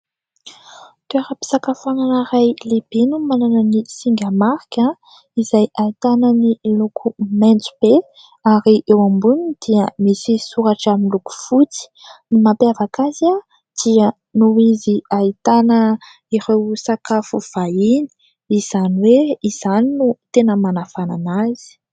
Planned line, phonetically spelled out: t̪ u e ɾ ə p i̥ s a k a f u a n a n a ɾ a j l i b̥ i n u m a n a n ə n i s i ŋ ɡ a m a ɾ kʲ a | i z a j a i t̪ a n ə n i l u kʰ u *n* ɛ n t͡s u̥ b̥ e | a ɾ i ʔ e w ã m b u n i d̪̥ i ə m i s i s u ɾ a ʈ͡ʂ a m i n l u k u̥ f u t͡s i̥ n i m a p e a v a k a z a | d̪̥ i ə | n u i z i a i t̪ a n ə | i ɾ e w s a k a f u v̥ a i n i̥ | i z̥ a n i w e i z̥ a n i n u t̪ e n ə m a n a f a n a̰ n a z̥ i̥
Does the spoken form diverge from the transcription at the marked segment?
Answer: yes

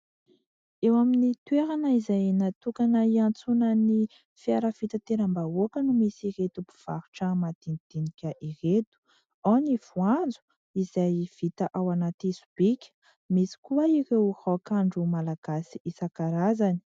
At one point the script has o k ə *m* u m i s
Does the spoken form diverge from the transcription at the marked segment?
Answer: yes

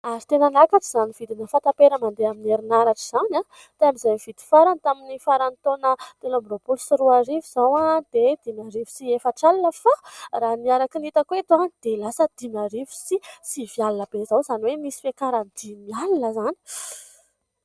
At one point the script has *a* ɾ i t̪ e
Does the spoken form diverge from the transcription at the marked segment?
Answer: no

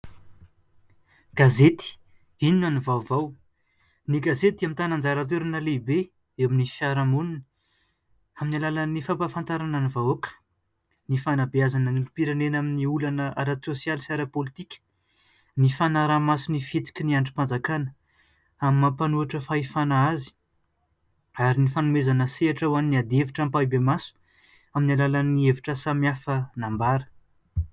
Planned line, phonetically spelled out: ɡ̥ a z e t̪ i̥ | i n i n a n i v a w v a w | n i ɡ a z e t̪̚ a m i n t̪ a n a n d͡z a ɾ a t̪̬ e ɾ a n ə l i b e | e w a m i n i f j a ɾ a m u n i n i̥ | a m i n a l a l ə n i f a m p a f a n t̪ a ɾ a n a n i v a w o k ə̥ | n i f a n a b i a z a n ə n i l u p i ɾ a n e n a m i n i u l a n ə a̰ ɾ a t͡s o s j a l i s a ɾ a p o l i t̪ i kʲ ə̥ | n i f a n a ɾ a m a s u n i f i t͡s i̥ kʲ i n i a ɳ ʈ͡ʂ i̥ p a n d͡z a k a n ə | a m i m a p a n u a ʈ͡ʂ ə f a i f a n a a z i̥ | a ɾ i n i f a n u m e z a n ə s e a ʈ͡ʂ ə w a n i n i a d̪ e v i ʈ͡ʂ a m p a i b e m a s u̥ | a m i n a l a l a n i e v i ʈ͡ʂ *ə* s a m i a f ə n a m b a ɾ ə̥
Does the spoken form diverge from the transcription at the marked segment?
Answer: no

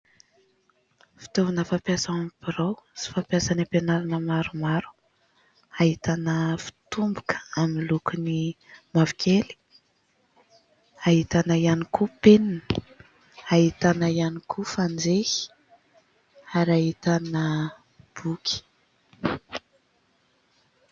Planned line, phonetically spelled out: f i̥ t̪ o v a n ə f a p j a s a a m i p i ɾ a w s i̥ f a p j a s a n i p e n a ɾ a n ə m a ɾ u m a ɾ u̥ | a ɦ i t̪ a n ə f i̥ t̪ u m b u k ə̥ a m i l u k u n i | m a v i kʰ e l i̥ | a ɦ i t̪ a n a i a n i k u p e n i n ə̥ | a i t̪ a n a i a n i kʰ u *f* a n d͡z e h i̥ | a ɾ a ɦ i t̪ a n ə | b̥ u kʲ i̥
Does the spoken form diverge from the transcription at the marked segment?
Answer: no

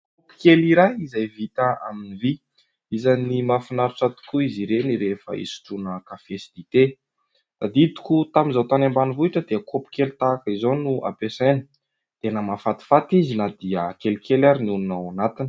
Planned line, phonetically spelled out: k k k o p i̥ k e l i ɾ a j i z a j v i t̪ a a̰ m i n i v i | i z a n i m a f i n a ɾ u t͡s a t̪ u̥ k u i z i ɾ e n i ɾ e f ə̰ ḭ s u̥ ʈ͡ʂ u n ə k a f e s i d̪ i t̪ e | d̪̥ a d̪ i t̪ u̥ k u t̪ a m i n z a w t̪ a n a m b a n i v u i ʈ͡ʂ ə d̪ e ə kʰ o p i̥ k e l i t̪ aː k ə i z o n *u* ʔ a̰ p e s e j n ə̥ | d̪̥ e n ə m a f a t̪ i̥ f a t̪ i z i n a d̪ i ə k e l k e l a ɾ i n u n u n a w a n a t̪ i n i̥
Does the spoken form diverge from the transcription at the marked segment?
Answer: no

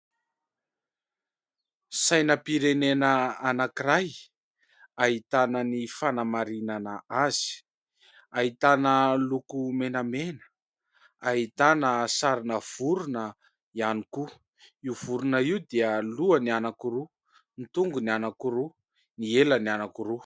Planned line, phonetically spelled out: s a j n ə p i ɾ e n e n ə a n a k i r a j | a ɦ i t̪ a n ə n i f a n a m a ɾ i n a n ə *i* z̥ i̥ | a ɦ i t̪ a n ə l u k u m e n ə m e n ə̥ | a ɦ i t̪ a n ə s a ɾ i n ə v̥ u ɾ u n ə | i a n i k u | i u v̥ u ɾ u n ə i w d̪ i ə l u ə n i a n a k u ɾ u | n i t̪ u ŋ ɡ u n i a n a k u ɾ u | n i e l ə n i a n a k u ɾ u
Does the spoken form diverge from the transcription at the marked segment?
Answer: yes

